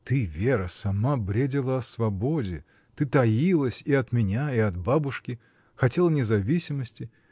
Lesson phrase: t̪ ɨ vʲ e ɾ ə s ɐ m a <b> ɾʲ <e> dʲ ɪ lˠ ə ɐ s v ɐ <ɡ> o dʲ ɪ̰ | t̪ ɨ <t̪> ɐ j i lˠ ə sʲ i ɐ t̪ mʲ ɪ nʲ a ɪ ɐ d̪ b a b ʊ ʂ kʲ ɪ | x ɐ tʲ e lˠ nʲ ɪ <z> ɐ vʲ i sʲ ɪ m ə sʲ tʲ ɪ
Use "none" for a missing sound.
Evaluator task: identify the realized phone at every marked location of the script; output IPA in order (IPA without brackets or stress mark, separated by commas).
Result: b, e, b, t̪, z